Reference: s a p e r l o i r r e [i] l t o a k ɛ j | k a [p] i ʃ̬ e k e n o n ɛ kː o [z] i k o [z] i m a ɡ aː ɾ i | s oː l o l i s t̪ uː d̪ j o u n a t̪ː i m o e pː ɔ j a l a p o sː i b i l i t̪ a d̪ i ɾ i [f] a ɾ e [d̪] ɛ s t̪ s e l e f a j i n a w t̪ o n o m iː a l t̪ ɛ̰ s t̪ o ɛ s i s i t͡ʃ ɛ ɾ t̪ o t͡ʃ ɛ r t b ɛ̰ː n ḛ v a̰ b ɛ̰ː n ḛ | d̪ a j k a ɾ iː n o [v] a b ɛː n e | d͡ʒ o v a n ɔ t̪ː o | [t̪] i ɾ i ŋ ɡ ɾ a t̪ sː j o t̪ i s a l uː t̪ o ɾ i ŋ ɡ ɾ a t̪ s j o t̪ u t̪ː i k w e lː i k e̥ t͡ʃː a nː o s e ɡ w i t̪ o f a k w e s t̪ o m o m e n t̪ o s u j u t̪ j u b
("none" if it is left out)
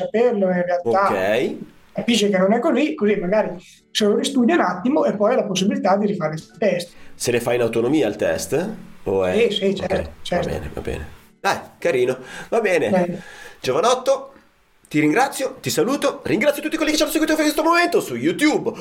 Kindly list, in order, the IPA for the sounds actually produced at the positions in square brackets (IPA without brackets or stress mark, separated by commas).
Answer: a, p, z, z, f, t̪, v, t̪